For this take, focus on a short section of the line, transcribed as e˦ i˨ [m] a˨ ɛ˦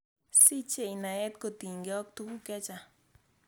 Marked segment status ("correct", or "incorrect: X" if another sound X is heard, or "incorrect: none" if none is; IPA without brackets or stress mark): incorrect: n